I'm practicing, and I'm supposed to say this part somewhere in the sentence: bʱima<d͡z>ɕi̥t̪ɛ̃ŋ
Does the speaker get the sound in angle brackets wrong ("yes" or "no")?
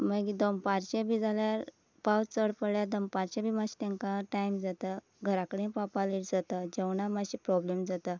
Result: yes